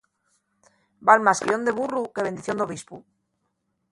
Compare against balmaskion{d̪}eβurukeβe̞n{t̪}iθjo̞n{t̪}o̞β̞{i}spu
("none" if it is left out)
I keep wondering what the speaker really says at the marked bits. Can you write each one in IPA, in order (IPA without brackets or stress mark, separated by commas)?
d̪, d̪, d̪, i